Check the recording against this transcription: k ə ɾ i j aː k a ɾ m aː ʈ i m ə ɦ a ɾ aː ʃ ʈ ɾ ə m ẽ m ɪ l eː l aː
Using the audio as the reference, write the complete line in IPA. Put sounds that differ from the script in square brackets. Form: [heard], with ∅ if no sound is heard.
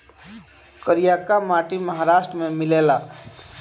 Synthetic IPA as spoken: k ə ɾ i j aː k a [∅] m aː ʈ i m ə ɦ a ɾ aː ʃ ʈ ɾ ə m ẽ m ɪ l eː l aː

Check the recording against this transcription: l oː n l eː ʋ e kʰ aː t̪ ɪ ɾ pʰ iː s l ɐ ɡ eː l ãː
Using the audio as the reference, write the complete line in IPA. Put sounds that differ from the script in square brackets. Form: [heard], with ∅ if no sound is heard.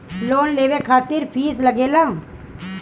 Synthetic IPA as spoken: l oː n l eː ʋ e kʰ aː t̪ ɪ ɾ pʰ iː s l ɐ ɡ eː l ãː

